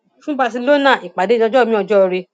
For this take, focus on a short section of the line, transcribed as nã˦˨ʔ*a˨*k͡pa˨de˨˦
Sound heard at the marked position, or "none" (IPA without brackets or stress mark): i˨